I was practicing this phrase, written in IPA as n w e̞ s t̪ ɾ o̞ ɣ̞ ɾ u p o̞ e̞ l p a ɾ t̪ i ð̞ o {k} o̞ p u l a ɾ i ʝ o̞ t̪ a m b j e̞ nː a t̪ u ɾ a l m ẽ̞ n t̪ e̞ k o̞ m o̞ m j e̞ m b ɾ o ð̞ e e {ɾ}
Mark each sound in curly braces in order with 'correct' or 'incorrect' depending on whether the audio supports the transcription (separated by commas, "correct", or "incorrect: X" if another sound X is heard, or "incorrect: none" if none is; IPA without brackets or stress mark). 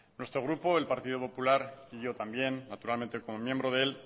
incorrect: p, incorrect: l